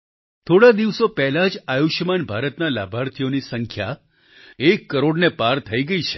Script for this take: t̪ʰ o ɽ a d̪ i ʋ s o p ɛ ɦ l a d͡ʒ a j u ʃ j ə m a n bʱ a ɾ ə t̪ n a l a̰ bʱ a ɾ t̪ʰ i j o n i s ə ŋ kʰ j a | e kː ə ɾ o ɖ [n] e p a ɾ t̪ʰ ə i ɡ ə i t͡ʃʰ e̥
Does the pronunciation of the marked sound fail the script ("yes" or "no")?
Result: no